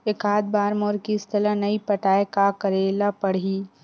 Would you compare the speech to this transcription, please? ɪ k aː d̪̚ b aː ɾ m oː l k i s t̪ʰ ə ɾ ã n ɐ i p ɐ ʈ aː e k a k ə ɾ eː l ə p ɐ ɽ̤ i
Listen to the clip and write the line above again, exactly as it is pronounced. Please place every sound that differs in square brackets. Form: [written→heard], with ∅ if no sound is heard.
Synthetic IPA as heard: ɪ k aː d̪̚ b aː ɾ m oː [l→ɾ] k i s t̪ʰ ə [ɾ→l] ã n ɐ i p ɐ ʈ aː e k a k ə ɾ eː l [ə→a] p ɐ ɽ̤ i